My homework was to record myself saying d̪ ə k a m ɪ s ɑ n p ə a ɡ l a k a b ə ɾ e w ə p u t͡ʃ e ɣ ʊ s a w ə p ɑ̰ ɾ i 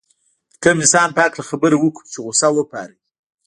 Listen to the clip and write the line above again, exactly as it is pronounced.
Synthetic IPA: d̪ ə k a m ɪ s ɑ n p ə a k l a x a b ə ɾ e w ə k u t͡ʃ e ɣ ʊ s a w ə p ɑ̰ ɾ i